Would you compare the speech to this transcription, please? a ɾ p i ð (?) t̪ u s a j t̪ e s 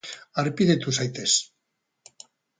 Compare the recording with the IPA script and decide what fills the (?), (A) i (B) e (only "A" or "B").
B